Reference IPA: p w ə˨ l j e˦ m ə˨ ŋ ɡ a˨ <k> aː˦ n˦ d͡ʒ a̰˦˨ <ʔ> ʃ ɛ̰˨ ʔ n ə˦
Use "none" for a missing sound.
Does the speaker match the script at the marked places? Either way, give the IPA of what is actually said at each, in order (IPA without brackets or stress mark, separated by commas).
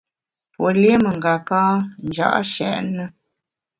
k, ʔ